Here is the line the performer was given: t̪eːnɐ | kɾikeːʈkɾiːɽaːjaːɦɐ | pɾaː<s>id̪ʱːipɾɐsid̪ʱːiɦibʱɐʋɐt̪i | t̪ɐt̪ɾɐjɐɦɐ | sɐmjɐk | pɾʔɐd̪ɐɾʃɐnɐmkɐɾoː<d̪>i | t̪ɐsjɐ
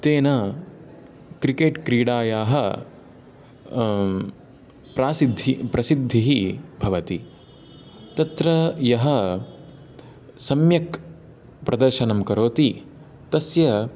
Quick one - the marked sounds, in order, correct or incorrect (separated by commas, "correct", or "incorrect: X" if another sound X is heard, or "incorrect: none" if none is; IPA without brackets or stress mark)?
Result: correct, incorrect: t̪